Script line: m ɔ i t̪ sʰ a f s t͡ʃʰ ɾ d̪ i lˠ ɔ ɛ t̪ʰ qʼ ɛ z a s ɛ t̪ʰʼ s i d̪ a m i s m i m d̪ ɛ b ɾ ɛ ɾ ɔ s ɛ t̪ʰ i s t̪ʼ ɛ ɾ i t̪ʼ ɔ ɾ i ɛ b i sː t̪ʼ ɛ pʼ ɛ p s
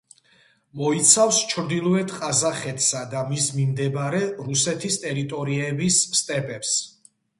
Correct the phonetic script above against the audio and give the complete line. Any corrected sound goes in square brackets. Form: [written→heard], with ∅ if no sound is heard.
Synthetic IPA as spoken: m ɔ i t̪ sʰ a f s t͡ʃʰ ɾ d̪ i lˠ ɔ ɛ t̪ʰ qʼ [ɛ→a] z a [s→χ] ɛ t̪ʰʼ s [i→a] d̪ a m i s m i m d̪ ɛ b ɾ ɛ ɾ [ɔ→u] s ɛ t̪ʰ i s t̪ʼ ɛ ɾ i t̪ʼ ɔ ɾ i ɛ b i sː t̪ʼ ɛ pʼ ɛ p s